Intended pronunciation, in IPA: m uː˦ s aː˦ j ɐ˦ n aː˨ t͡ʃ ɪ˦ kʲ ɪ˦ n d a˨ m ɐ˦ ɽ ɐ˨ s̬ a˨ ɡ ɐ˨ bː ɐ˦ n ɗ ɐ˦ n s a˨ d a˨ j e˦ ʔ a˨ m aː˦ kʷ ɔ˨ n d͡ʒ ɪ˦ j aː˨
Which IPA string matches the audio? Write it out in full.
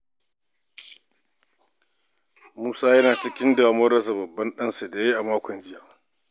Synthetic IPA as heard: m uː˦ s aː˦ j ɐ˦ n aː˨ t͡ʃ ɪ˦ kʲ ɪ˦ n d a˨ m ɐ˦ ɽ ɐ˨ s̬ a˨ b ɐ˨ bː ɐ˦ n ɗ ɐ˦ n s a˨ d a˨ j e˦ ʔ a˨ m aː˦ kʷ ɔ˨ n d͡ʒ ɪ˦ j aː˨